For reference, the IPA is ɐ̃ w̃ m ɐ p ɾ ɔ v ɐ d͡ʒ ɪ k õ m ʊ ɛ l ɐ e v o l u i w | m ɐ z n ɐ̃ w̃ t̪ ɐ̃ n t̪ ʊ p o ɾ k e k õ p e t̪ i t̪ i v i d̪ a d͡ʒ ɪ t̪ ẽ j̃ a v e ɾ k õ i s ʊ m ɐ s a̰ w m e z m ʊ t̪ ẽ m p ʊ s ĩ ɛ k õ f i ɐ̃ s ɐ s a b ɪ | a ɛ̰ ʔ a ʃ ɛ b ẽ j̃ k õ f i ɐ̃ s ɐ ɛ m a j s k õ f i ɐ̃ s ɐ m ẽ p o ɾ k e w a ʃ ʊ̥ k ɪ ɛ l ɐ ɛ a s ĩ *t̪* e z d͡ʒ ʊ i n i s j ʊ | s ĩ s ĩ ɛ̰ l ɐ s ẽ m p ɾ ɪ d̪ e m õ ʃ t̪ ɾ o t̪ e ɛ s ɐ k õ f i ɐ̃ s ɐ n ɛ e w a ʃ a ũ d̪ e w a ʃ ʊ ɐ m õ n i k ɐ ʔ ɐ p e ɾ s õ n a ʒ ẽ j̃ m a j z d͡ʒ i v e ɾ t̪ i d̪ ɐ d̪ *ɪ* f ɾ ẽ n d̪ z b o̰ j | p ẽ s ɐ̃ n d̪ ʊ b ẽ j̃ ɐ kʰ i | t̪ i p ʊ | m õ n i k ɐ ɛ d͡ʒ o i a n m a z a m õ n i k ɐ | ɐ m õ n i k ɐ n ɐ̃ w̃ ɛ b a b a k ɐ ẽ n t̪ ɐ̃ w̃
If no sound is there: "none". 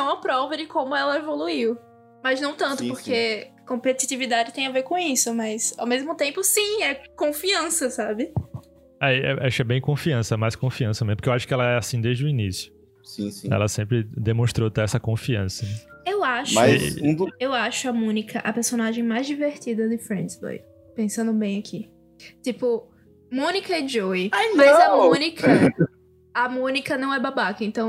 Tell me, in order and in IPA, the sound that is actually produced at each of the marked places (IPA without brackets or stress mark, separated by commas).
d̪, ɪ